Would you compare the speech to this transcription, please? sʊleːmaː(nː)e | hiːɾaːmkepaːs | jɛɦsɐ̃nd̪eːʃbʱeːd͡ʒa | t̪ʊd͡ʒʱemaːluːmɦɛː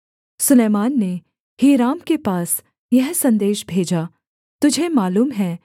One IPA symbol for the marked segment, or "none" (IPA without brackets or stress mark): nː